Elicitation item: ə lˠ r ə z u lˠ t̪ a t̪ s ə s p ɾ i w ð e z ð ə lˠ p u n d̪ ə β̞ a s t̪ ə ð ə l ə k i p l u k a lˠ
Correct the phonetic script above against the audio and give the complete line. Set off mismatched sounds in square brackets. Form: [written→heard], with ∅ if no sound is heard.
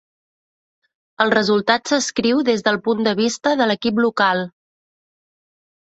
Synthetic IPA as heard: ə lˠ r ə z u lˠ t̪ a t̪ s ə s [p→k] ɾ i w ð e z ð ə lˠ p u n d̪ ə β̞ [a→i] s t̪ ə ð ə l ə k i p l u k a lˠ